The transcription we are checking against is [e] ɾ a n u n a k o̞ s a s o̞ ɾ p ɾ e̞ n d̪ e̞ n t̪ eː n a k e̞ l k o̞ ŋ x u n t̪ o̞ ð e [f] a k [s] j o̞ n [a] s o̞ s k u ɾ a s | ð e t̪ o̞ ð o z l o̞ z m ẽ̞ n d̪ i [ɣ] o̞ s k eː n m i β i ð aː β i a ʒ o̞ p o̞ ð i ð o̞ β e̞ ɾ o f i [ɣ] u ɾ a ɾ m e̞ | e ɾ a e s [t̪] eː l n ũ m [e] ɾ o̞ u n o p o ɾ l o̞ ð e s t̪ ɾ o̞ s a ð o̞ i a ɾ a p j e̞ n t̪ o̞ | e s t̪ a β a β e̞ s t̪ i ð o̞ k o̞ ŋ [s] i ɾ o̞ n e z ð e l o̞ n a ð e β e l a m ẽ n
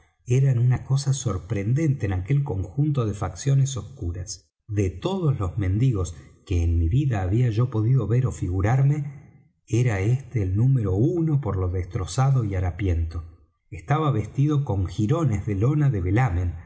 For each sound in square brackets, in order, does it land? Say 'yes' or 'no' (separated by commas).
yes, yes, yes, no, yes, yes, yes, yes, no